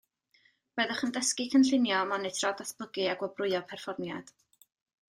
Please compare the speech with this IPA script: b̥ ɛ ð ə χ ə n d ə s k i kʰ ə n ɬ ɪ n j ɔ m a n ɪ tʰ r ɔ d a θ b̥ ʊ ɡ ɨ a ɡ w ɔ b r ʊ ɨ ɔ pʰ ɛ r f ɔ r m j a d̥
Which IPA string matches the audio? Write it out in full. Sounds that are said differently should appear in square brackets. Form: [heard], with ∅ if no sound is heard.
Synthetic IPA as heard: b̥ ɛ ð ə χ ə n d ə s k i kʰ ə n ɬ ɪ n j ɔ m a n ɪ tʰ r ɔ d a θ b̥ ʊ ɡ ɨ a ɡ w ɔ b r ʊ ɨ ɔ pʰ ɛ r f ɔ r m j a d̥